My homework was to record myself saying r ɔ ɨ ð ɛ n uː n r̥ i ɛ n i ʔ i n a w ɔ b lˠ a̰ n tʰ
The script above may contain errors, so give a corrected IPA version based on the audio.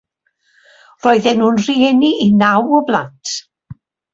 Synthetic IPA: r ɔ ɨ ð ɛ n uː n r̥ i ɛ n i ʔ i n a w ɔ b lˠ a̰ n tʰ